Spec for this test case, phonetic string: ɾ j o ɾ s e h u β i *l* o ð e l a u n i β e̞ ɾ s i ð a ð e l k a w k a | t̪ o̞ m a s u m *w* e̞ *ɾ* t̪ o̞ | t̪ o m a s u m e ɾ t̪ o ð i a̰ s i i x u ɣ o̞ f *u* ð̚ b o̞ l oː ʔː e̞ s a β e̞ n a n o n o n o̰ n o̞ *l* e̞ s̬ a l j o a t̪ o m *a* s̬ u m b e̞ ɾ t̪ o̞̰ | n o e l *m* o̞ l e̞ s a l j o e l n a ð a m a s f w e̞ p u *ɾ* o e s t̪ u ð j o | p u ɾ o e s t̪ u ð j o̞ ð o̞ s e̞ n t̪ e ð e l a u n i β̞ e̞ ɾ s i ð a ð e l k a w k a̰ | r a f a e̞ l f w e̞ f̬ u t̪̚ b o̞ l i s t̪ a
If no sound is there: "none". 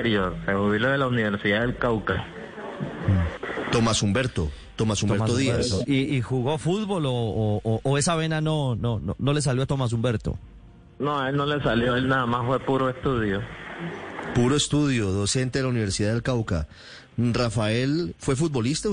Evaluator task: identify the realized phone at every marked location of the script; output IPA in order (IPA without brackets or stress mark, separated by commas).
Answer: l, b, ɾ, u, l, a, n, ɾ